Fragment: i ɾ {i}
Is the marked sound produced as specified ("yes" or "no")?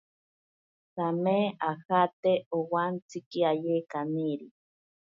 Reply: yes